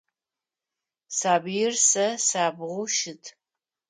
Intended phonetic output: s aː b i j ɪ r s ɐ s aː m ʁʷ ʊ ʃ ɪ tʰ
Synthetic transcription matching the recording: s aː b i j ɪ r s ɐ s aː b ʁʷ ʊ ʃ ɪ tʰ